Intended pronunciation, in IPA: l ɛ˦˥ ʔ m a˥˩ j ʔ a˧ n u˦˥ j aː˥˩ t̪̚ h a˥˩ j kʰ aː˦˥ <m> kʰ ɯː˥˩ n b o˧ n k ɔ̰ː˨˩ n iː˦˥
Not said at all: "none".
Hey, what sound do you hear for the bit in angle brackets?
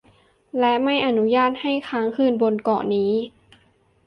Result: ŋ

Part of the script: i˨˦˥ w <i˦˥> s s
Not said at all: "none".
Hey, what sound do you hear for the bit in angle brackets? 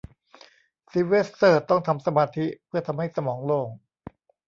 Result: e˦˥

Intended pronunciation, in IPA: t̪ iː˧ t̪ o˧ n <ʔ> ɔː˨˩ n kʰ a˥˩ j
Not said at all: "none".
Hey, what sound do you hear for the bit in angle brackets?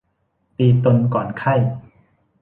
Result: k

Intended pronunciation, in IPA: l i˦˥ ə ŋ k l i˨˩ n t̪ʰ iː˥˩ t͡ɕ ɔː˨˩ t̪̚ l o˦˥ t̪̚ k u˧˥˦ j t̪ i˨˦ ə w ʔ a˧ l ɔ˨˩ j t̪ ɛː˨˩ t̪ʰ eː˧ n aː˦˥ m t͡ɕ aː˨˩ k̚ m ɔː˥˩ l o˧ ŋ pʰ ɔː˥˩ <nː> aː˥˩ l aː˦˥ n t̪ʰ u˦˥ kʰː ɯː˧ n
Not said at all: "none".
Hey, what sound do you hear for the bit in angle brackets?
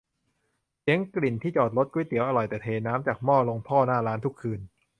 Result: n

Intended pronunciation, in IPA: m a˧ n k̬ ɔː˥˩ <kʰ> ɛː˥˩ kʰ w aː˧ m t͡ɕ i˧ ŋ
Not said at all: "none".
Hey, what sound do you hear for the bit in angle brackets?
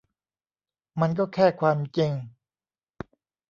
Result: kʰ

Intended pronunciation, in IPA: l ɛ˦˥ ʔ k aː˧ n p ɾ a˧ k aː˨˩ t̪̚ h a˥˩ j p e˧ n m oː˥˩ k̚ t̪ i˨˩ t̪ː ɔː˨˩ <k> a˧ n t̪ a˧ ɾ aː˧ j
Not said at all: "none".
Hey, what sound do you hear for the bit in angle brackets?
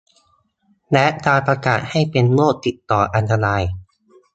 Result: ʔ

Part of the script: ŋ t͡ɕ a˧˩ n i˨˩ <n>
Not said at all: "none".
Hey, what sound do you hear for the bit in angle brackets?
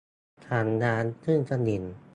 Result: n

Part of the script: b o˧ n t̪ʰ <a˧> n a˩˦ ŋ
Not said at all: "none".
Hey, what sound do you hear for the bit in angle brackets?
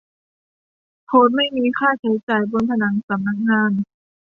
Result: a˧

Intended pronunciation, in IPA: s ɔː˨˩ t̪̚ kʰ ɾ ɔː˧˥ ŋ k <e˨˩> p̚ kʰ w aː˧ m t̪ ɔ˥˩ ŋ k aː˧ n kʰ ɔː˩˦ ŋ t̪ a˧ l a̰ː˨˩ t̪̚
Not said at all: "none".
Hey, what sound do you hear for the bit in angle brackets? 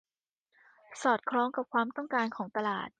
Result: a˨˩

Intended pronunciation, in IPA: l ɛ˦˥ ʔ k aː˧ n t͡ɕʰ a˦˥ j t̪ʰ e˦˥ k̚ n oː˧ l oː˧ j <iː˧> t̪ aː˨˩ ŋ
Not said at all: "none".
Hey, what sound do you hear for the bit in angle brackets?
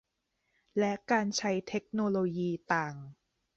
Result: iː˧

